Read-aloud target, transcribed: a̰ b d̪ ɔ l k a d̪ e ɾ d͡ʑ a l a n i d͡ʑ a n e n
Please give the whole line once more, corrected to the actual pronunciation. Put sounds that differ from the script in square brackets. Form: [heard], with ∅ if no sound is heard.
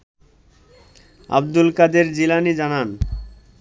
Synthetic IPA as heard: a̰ b d̪ [u] l k a d̪ e ɾ d͡ʑ [i] l a n i d͡ʑ a n [a] n